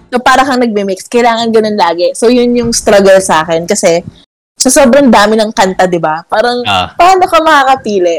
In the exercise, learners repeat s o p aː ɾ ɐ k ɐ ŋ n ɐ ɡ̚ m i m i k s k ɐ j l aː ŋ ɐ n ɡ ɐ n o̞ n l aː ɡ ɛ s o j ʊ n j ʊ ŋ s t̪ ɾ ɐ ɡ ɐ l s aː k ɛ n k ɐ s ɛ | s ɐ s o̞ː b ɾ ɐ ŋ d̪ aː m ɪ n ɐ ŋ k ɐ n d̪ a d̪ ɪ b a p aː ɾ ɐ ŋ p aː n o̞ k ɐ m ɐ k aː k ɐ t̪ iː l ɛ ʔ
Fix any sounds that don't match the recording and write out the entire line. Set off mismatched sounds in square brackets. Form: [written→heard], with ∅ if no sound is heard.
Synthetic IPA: s o p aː ɾ ɐ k ɐ ŋ n ɐ ɡ̚ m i m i k s k ɐ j l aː ŋ ɐ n ɡ ɐ n o̞ n l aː ɡ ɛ s o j ʊ n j ʊ ŋ s t̪ ɾ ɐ ɡ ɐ l s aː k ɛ n k ɐ s ɛ | s ɐ s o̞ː b ɾ ɐ ŋ d̪ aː m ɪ n ɐ ŋ k ɐ n [d̪→t̪] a d̪ ɪ b a p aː ɾ ɐ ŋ p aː n o̞ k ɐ m ɐ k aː k ɐ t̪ iː l ɛ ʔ